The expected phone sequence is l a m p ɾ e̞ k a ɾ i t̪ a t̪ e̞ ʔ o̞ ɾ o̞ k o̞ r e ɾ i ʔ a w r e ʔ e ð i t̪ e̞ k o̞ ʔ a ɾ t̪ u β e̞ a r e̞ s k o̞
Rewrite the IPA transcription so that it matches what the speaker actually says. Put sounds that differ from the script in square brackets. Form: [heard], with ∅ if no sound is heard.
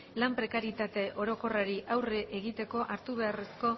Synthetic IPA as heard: l a m p ɾ e̞ k a ɾ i t̪ a t̪ e̞ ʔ o̞ ɾ o̞ k o̞ r [a] ɾ i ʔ a w r e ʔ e [ɣ] i t̪ e̞ k o̞ ʔ a ɾ t̪ u β e̞ a r e̞ s k o̞